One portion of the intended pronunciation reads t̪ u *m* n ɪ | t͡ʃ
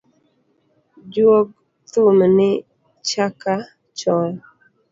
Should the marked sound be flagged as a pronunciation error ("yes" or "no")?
no